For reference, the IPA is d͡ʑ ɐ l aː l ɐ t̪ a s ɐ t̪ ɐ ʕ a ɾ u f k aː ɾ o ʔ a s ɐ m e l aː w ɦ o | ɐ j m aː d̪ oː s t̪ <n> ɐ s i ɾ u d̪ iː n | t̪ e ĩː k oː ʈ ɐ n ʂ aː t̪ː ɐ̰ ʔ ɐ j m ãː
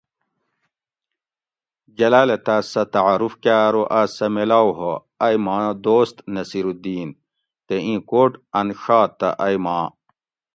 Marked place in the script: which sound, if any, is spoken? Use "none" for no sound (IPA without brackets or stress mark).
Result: n